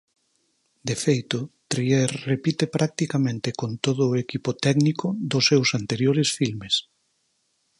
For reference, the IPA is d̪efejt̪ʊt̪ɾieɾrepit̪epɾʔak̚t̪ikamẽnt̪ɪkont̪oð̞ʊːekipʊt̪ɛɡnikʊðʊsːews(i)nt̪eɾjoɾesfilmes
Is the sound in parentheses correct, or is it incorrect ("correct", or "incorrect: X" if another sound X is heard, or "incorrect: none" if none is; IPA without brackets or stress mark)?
incorrect: a